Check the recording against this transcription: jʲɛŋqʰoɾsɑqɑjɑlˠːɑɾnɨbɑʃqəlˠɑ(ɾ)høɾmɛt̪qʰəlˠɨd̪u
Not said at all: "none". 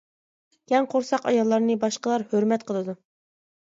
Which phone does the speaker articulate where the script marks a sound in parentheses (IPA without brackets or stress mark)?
ɾ